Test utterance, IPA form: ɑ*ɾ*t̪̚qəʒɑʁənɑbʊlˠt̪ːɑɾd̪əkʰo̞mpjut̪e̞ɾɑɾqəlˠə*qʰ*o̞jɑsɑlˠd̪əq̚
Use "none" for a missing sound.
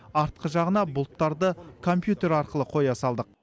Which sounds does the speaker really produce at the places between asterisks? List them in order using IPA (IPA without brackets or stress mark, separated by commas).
ɾ, qʰ